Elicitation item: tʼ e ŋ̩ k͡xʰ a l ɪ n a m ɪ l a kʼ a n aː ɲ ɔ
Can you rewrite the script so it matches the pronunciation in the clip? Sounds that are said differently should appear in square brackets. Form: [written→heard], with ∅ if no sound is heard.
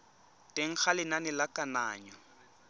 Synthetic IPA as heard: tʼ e ŋ̩ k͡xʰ a l ɪ n a [m→n] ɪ l a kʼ a n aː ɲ ɔ